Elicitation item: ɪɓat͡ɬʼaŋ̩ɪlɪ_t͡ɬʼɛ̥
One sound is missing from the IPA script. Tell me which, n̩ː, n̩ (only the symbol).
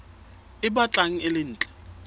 n̩ː